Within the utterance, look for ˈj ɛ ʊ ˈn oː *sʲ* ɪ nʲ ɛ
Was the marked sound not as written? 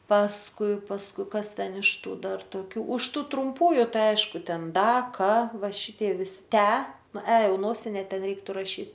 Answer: no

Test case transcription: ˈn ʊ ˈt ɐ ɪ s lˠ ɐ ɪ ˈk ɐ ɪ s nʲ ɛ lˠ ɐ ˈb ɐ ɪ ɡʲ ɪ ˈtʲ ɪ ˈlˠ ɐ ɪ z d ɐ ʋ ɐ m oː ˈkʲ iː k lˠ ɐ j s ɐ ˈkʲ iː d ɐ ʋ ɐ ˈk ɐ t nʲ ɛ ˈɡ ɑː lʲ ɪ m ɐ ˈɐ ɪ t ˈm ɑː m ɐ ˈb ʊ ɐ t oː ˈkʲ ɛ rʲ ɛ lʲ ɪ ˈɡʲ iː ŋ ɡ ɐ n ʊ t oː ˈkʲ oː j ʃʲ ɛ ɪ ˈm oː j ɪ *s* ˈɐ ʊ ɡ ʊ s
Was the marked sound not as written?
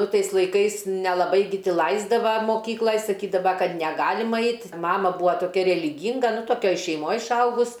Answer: yes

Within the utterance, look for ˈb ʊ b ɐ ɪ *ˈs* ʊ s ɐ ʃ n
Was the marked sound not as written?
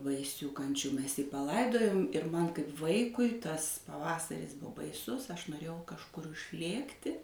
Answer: no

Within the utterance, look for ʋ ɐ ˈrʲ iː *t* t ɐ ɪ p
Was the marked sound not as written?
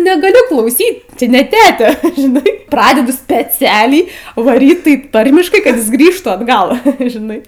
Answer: no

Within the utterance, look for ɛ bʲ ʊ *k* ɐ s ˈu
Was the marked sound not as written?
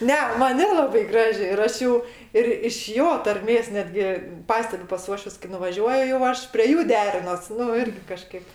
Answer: yes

